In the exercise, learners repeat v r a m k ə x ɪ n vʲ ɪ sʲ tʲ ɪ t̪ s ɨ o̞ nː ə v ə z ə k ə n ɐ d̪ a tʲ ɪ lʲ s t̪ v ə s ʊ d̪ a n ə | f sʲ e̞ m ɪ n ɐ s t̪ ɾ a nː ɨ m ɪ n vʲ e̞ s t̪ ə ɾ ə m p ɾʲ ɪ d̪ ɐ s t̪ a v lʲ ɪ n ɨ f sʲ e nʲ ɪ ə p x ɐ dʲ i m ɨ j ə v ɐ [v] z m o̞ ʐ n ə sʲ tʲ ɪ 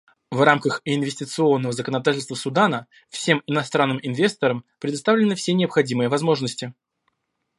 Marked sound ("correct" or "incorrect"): incorrect